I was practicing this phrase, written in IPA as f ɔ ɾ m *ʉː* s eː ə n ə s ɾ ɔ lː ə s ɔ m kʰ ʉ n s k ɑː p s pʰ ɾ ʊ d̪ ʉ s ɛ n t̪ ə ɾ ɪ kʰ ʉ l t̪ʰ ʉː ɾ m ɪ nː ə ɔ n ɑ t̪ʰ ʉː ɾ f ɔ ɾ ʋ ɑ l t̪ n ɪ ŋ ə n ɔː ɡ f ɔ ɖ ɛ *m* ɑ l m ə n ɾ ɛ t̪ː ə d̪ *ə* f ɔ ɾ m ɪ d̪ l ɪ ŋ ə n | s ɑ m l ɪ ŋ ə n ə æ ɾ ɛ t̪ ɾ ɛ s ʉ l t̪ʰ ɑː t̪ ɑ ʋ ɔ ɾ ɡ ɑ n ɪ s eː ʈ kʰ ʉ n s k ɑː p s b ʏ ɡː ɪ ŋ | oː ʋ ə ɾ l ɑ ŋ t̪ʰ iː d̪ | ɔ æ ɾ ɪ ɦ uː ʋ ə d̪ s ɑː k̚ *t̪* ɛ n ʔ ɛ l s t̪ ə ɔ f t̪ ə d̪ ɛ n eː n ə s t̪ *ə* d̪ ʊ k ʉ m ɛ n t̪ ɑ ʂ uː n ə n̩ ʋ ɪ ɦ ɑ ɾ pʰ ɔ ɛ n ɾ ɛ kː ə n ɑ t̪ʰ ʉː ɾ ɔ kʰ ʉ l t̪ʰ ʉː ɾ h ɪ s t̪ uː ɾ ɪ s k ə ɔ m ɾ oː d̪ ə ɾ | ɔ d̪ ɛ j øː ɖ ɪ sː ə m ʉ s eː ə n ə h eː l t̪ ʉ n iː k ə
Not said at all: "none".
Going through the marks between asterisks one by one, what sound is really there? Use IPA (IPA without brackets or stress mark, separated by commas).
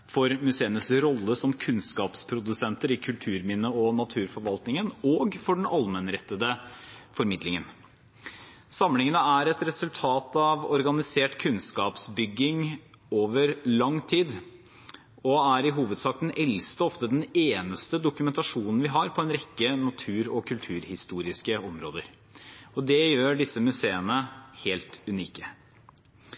ʉ, n, ə, d̪, ə